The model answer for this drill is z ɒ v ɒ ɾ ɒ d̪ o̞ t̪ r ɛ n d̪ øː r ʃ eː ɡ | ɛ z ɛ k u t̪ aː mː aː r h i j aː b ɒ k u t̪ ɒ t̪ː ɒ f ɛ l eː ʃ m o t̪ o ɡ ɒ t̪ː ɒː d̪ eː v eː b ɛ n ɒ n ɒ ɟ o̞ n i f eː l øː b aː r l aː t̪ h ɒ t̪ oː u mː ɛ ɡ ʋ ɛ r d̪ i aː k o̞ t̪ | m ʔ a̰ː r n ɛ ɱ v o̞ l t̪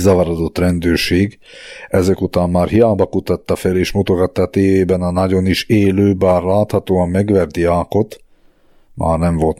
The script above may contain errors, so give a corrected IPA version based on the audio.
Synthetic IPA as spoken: z ɒ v ɒ ɾ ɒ d̪ o̞ t̪ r ɛ n d̪ øː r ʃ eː ɡ | ɛ z ɛ k u t̪ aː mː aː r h i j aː b ɒ k u t̪ ɒ t̪ː ɒ f ɛ l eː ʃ m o t̪ o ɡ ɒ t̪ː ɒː t̪ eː v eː b ɛ n ɒ n ɒ ɟ o̞ n i ʃ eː l øː b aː r l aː t̪ h ɒ t̪ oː ɒ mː ɛ ɡ ʋ ɛ r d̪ i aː k o̞ t̪ | m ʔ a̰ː r n ɛ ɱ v o̞ l t̪